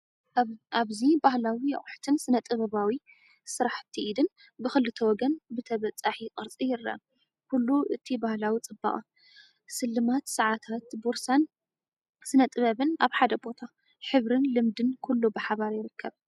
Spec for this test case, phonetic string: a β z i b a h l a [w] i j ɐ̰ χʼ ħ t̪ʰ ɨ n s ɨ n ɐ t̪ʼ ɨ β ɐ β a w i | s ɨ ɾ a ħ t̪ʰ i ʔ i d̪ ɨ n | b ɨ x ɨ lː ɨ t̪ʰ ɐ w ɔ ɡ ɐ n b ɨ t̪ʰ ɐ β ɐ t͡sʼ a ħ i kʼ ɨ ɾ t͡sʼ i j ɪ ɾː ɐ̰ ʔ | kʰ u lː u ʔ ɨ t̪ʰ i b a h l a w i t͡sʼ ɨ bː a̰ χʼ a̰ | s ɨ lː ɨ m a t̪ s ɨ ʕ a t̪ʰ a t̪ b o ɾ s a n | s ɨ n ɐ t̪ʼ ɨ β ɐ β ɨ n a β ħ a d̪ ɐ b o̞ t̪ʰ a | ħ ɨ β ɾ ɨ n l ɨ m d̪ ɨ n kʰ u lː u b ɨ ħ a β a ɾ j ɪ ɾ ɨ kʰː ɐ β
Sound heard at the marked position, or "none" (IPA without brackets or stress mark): w